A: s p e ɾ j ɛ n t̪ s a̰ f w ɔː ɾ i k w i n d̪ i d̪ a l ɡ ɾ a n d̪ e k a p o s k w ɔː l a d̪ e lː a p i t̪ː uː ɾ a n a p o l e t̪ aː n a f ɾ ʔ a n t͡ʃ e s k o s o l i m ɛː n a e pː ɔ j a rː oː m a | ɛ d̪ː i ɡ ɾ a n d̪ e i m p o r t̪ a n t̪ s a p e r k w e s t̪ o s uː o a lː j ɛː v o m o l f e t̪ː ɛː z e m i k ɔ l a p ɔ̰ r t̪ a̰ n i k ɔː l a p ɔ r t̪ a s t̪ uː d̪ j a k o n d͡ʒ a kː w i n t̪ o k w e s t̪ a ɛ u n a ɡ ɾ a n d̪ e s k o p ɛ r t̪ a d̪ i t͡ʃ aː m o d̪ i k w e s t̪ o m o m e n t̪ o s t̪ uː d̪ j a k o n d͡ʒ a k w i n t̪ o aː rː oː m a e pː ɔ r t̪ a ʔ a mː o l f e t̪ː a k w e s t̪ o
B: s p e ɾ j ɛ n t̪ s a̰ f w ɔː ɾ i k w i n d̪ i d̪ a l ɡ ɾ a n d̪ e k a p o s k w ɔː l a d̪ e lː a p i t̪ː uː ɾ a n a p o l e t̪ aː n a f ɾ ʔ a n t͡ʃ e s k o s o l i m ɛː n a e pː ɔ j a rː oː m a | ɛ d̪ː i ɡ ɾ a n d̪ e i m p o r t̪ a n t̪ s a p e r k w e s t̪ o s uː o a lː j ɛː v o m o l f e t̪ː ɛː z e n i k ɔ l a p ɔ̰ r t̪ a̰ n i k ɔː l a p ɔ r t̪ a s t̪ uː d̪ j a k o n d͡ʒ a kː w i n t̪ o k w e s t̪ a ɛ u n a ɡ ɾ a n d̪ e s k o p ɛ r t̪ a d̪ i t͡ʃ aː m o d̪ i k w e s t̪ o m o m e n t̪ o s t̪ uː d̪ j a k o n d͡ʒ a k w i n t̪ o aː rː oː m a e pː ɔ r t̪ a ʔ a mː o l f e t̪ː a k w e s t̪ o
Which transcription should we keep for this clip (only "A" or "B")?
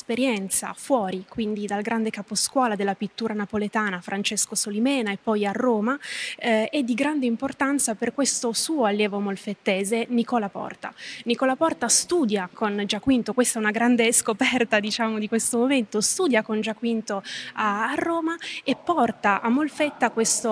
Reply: B